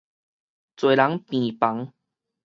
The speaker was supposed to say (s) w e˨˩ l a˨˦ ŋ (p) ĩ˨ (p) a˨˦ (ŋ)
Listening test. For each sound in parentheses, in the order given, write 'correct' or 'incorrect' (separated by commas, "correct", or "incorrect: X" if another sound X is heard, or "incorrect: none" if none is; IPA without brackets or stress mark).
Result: incorrect: t͡s, correct, correct, correct